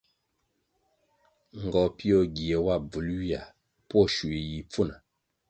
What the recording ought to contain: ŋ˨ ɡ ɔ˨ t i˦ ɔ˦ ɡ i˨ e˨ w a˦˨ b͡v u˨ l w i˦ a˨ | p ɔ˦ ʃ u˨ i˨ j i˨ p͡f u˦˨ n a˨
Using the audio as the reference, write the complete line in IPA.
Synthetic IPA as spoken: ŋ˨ ɡ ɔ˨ p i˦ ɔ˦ ɡ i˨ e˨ w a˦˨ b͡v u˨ l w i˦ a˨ | p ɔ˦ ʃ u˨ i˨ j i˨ p͡f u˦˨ n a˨